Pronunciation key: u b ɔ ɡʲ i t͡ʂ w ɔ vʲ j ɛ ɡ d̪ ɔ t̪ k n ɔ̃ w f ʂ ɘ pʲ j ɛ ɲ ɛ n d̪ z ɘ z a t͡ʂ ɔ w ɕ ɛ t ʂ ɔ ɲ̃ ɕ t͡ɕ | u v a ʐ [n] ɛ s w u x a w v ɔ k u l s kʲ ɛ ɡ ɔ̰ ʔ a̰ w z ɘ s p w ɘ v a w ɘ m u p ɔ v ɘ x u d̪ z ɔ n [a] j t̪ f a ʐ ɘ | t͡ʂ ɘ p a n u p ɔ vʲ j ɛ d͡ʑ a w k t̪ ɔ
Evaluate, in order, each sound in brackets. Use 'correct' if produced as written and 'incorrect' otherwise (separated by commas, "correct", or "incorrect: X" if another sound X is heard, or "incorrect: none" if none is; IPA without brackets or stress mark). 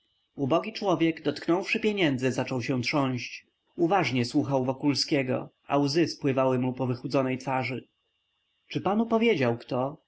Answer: incorrect: ɲ, incorrect: ɛ